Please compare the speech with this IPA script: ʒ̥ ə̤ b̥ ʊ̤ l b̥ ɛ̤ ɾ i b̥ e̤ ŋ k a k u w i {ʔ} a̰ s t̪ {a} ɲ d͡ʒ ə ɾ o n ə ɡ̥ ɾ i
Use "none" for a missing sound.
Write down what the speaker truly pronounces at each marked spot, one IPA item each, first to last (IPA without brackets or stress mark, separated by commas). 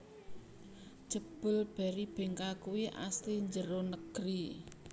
ʔ, i